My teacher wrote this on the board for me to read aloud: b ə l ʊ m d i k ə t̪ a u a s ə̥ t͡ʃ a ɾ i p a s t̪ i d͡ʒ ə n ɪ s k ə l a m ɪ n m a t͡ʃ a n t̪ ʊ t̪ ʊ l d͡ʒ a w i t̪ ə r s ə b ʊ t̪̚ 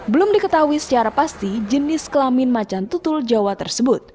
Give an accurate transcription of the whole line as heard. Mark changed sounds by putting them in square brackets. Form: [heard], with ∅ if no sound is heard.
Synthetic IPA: b ə l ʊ m d i k ə t̪ a u [i] s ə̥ t͡ʃ a ɾ [a] p a s t̪ i d͡ʒ ə n ɪ s k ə l a m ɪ n m a t͡ʃ a n t̪ [u] t̪ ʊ l d͡ʒ a w [a] t̪ ə r s ə b ʊ t̪̚